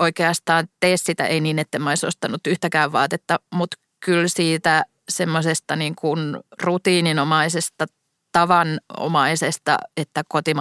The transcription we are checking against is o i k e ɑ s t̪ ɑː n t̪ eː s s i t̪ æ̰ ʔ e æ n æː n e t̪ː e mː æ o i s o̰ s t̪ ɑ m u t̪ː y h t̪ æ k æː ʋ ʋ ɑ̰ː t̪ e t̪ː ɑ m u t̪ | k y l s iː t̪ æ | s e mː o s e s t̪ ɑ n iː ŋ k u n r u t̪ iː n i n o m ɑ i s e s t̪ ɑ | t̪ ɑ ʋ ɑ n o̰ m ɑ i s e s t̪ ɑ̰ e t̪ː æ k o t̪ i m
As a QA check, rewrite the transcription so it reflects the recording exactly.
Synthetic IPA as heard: o i k e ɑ s t̪ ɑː n t̪ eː s s i t̪ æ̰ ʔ e i n iː n e t̪ː e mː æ o i s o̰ s t̪ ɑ n u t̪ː y h t̪ æ k æː ʋ ʋ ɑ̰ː t̪ e t̪ː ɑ m u t̪ | k y l s iː t̪ æ | s e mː o s e s t̪ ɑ n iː ŋ k u n r u t̪ iː n i n o m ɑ i s e s t̪ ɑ | t̪ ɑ ʋ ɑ n o̰ m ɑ i s e s t̪ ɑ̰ e t̪ː æ k o t̪ i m